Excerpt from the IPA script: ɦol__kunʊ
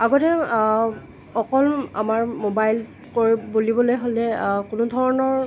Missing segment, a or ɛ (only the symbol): ɛ